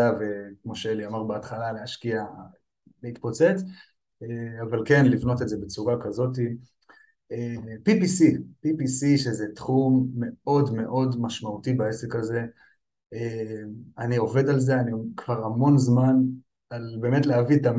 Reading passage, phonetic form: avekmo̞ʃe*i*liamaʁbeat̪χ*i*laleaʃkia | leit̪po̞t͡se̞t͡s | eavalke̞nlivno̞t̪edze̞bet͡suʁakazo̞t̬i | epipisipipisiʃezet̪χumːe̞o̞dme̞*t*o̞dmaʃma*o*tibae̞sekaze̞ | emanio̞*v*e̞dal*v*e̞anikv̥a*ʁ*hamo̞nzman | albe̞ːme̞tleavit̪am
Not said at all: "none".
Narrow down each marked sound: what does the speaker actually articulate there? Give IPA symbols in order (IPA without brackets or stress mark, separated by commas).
e, a, ʔ, u, v, z, ʁ